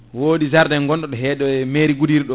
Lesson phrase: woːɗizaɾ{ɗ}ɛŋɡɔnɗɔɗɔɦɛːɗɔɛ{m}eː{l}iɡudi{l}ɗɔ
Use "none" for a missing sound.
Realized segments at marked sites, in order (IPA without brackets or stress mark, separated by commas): d, m, ɾ, ɾ